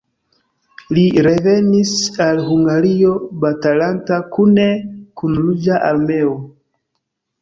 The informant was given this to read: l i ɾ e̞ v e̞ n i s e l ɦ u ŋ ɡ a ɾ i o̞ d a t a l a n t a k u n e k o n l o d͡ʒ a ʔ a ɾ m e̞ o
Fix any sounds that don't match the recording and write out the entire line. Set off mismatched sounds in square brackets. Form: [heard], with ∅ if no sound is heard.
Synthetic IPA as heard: l i ɾ e̞ v e̞ n i s [a] l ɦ u ŋ ɡ a ɾ i o̞ [b] a t a l a n t a k u n e k [u] n l [u] d͡ʒ a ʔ a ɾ m e̞ o